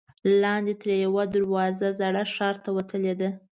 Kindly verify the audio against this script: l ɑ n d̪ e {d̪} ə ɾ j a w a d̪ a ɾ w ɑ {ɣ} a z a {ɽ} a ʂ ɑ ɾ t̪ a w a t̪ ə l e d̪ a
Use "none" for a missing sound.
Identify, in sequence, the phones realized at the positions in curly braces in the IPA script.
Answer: t̪, z, ɽ

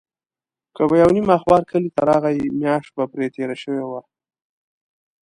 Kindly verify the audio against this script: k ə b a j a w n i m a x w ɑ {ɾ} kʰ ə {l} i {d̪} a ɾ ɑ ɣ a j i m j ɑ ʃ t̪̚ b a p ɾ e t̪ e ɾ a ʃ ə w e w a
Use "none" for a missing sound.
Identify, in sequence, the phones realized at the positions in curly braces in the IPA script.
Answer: ɾ, l, t̪

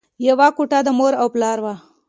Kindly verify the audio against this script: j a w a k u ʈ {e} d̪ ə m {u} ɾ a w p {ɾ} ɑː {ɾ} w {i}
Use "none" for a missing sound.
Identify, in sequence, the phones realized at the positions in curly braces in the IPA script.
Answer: a, o, l, ɾ, a

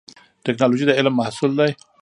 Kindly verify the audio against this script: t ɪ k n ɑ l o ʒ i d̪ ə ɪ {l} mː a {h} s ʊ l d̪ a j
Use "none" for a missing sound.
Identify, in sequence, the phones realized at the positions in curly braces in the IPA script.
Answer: l, h

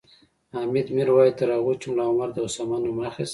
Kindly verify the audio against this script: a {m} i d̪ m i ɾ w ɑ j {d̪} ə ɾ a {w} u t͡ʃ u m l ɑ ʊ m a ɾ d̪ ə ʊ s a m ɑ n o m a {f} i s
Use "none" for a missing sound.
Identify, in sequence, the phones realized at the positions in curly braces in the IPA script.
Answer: m, t̪, ɣ, x

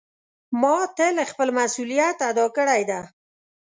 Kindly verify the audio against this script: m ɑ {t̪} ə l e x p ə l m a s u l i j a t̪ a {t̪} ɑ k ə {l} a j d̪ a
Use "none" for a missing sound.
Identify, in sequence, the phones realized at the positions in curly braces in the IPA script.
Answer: t̪, d̪, ɽ

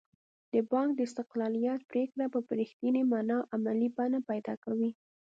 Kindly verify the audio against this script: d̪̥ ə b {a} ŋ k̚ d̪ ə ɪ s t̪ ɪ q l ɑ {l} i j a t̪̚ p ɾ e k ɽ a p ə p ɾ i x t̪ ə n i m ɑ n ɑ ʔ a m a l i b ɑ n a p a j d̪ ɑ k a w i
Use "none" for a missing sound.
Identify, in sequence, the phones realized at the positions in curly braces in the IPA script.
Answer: ɑ, l

